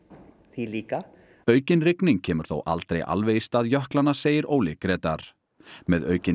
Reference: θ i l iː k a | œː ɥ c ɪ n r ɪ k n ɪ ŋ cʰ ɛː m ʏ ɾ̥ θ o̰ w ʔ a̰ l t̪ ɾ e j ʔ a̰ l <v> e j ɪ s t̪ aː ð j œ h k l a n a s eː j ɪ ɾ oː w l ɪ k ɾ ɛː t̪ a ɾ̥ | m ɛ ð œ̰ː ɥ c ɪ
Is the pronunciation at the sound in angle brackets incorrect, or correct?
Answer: correct